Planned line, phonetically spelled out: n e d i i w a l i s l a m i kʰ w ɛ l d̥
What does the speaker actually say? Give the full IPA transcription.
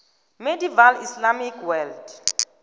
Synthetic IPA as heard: m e d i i v a l i s l a m i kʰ w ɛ l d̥